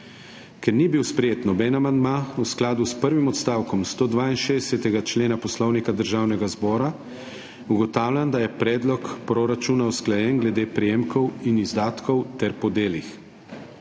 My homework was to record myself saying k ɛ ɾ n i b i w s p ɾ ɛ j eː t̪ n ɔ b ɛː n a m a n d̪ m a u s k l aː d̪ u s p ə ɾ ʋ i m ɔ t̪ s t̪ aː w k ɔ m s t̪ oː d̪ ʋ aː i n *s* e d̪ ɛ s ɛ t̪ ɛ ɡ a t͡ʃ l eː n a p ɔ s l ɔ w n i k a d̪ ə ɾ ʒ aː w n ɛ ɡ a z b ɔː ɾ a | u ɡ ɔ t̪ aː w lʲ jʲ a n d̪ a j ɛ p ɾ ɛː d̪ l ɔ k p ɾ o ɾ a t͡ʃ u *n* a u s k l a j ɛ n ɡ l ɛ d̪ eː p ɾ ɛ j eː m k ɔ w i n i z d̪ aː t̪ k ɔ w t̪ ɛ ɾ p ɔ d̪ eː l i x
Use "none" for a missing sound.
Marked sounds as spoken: ʃ, n

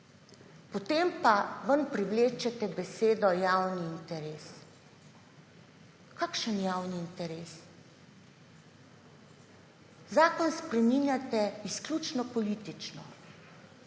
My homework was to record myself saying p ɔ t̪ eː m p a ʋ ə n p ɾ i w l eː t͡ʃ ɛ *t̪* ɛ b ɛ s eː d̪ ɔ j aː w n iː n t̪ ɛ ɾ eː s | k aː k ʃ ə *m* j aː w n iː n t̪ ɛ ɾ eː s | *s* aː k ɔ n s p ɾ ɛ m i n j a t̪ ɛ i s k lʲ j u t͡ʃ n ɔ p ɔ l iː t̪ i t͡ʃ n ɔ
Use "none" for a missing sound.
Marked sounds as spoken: t̪, n, z

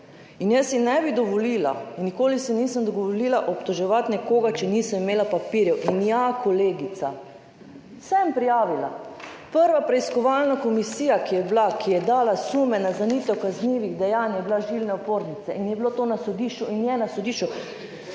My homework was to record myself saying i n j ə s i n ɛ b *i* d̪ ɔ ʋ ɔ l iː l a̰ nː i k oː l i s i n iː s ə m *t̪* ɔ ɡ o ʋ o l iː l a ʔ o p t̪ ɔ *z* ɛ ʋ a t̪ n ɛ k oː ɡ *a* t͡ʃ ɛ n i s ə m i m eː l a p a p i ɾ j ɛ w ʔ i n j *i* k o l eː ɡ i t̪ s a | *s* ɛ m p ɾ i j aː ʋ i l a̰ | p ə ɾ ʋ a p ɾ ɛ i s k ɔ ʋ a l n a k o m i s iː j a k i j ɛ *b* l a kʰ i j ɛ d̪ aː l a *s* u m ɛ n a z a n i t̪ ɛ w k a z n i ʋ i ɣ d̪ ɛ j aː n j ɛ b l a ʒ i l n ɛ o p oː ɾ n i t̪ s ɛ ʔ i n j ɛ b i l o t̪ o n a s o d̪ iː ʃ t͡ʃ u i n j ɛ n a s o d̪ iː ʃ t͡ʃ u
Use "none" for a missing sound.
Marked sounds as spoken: i, d̪, ʒ, a, a, s, b, s

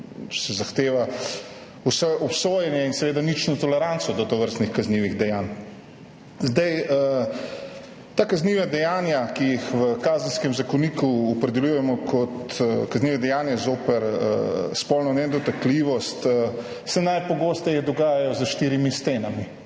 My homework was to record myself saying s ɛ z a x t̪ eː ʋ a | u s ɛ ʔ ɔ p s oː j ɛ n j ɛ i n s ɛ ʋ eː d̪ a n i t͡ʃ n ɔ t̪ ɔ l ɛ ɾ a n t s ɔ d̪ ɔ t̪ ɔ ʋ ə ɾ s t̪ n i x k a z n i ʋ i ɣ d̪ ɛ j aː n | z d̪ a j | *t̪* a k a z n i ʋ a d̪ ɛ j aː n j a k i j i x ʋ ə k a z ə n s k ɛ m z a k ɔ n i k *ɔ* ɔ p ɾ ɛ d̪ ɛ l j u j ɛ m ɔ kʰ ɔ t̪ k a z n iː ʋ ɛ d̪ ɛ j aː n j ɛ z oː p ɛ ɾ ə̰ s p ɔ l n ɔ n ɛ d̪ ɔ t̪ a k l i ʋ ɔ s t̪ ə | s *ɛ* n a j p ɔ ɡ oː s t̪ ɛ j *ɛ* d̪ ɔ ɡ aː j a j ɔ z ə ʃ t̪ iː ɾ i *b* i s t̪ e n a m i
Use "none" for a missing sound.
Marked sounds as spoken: t̪, u, ɛ, ɛ, m

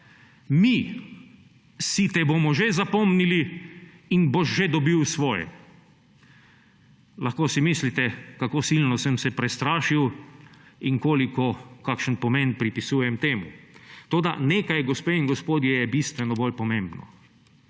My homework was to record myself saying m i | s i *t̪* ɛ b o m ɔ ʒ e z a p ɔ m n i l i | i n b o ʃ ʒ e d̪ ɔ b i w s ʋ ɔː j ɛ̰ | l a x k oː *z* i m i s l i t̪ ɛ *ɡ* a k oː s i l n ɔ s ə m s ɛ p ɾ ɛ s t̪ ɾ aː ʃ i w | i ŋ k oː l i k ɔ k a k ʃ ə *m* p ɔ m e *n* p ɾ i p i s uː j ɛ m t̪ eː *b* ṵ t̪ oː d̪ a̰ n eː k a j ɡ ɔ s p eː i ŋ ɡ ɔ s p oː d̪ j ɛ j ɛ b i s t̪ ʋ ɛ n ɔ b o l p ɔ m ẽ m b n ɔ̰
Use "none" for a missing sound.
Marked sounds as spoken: t̪, s, k, n, n, m

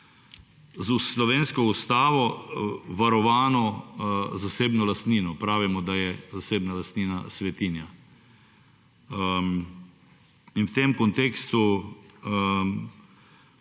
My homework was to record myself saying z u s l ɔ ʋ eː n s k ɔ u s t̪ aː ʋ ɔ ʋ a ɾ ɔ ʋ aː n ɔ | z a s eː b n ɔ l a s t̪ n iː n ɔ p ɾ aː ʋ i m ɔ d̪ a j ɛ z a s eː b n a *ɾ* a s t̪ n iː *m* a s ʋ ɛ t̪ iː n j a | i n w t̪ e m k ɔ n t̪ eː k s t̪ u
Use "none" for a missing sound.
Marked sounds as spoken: l, n

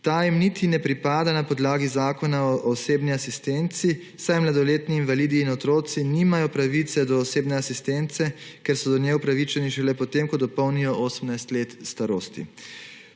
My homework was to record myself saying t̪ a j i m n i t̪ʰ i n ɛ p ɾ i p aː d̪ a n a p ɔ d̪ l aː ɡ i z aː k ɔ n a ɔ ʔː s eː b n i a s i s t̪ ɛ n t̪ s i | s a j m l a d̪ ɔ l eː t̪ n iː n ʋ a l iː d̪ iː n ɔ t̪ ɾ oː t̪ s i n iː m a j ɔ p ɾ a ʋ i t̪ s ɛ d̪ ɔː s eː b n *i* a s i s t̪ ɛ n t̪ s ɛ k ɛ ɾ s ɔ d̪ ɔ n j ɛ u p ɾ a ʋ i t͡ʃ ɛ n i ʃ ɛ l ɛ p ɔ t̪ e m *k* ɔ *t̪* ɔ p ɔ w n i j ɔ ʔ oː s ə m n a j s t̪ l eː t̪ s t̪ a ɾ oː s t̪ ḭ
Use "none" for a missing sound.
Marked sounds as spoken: ɛ, k, d̪

